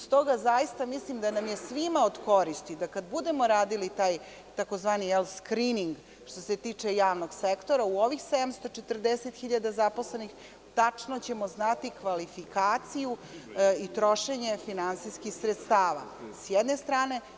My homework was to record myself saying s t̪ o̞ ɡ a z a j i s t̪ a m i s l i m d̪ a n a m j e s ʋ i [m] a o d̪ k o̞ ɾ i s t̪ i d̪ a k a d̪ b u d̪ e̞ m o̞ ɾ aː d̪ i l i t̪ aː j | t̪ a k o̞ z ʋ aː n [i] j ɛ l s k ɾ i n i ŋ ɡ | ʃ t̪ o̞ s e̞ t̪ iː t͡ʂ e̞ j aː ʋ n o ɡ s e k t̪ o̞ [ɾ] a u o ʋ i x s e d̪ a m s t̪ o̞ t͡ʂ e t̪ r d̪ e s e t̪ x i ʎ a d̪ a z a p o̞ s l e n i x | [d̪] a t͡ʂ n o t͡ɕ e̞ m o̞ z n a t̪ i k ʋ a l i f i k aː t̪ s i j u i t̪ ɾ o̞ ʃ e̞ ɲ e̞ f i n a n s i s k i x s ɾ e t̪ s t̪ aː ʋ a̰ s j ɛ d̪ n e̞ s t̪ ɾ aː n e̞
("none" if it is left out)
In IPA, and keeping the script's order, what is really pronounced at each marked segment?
m, i, ɾ, t̪

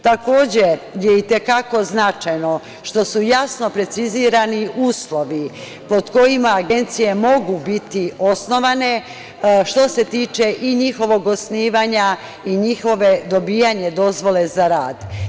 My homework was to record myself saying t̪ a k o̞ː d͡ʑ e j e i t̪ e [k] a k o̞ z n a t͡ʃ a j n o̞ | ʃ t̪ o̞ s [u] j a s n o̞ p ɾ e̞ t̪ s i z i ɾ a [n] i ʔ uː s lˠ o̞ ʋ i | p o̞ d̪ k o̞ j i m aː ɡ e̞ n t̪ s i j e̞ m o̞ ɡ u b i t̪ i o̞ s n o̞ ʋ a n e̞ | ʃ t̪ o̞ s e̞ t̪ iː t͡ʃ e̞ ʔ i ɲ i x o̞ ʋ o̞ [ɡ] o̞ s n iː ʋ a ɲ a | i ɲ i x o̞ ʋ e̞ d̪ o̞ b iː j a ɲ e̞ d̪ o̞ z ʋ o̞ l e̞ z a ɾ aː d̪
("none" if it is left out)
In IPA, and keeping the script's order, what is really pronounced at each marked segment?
k, u, n, ɡ

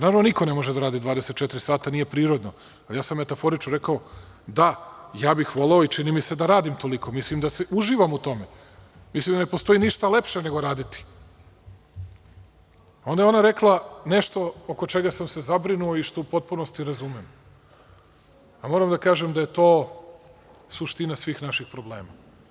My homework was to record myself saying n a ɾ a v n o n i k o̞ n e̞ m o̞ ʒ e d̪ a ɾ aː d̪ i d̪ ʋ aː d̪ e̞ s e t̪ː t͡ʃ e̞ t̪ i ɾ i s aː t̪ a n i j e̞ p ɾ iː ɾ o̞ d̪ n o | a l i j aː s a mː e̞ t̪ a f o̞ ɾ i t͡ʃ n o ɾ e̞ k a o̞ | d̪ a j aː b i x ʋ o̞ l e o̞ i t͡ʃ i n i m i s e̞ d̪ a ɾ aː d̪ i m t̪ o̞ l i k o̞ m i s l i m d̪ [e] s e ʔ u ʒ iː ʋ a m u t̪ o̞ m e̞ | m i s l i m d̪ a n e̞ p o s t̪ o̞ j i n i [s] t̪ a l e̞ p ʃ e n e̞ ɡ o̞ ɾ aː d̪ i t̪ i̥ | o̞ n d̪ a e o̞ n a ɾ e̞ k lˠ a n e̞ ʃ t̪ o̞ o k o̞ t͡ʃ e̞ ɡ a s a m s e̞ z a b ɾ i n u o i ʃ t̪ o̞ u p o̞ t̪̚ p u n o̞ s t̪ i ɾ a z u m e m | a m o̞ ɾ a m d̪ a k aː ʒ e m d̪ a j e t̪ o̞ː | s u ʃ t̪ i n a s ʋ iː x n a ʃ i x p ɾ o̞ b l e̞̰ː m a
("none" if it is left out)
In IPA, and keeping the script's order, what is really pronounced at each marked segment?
a, ʃ

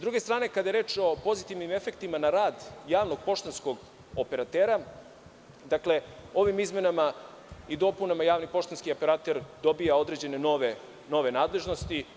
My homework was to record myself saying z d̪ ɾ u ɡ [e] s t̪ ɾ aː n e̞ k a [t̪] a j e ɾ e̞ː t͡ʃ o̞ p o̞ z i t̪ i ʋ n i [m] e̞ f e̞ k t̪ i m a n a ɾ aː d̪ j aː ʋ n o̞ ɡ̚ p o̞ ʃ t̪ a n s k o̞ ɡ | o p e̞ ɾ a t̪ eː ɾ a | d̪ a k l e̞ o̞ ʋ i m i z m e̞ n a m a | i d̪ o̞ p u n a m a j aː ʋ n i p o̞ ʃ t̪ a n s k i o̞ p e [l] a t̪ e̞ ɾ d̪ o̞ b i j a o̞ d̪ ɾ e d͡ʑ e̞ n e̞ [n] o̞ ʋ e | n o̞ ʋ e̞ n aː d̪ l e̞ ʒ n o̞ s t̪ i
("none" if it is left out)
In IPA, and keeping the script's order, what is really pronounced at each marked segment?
e, d̪, m, ɾ, n

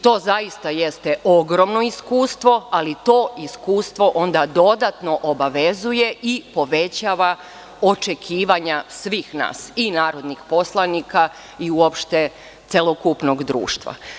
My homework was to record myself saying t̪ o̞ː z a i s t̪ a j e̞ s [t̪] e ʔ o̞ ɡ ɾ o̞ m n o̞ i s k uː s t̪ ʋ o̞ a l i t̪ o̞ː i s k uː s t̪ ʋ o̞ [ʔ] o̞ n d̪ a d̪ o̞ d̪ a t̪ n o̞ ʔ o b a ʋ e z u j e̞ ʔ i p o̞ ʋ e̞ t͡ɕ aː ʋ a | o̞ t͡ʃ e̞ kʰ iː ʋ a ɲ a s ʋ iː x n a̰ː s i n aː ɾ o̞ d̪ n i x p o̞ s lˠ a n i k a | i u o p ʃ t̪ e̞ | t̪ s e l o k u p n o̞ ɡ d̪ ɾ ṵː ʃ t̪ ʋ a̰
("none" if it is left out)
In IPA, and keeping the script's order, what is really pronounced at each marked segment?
t̪, ʔ

